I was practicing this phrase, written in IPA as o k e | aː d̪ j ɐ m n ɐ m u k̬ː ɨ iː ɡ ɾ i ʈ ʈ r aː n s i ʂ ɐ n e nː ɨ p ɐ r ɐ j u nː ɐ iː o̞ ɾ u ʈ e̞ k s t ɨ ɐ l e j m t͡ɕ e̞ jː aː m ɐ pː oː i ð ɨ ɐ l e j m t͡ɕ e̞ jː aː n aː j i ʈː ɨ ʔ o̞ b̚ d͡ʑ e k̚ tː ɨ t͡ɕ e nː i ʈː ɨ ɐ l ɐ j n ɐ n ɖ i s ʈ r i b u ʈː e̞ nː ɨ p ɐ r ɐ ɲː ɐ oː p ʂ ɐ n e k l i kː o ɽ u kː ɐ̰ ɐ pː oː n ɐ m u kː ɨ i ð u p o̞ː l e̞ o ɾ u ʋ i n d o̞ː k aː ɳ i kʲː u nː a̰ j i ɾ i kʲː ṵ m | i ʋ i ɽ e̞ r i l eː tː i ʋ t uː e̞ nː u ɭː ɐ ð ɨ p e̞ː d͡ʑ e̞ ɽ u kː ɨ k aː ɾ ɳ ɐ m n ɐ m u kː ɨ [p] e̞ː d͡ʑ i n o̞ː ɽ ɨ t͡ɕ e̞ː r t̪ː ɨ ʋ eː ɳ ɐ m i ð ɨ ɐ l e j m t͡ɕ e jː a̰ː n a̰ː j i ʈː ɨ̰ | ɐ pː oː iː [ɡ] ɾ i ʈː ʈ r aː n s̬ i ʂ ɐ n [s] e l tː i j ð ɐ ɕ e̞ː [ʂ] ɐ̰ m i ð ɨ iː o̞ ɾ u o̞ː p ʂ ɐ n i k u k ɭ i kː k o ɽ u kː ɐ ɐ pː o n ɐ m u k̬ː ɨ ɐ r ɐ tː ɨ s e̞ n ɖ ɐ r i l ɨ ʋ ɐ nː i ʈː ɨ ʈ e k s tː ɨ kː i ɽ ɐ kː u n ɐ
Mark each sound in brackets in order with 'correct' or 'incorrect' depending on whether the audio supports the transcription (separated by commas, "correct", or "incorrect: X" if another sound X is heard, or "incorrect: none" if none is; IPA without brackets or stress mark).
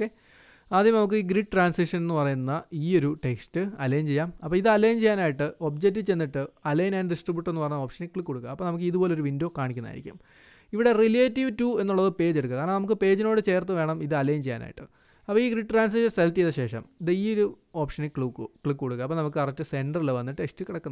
correct, correct, correct, correct